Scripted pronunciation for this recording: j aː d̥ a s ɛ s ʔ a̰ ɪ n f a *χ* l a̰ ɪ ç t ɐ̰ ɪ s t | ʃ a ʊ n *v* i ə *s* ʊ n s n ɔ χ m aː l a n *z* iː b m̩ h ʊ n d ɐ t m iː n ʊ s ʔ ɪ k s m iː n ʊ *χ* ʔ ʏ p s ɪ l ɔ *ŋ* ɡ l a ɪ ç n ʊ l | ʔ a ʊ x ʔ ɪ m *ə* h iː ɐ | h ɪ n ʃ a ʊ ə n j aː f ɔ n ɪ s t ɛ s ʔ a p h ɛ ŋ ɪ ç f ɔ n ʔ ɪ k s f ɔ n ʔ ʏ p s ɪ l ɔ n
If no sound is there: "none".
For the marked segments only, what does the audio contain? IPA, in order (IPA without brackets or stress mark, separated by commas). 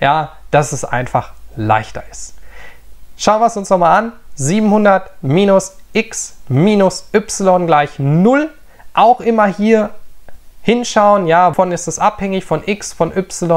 χ, v, s, z, s, n, ɐ